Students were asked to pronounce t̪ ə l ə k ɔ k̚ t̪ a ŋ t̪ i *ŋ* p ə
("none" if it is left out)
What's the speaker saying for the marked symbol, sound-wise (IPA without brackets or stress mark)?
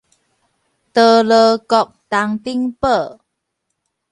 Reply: ŋ